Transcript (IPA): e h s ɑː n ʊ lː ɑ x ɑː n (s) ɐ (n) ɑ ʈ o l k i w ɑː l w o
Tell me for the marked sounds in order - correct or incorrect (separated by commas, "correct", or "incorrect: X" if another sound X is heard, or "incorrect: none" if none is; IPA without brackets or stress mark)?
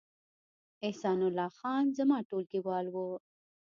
incorrect: z, incorrect: m